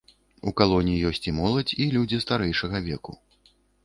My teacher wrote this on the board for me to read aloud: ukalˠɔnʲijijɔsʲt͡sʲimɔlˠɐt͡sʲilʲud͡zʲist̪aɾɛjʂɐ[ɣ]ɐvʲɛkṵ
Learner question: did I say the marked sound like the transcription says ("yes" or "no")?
yes